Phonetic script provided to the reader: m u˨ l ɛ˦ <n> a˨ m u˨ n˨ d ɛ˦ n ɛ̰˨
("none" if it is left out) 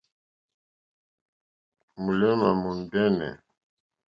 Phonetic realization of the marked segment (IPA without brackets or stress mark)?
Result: m